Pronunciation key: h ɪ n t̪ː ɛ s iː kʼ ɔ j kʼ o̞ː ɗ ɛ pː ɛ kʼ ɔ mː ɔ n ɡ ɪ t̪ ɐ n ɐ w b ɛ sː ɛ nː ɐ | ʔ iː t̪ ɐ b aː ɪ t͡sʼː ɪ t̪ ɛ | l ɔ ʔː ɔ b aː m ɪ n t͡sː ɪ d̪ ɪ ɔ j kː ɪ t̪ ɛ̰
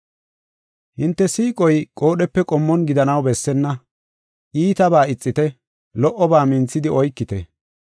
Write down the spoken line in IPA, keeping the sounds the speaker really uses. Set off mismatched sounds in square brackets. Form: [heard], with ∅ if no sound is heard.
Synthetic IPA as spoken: h ɪ n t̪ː ɛ s iː kʼ ɔ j kʼ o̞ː ɗ ɛ pː ɛ kʼ ɔ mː ɔ n ɡ ɪ [d̪] ɐ n ɐ w b ɛ sː ɛ nː ɐ | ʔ iː t̪ ɐ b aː ɪ t͡sʼː ɪ t̪ ɛ | l ɔ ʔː ɔ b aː m ɪ n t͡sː ɪ d̪ ɪ ɔ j kː ɪ t̪ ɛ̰